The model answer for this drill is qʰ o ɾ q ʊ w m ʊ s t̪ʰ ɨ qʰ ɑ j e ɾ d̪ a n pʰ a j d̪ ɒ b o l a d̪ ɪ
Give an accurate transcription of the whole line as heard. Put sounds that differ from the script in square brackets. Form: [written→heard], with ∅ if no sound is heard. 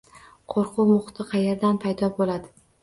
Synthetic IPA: qʰ o ɾ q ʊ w m ʊ [s→χ] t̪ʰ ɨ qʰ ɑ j e ɾ d̪ a n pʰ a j d̪ ɒ b o l a d̪ ɪ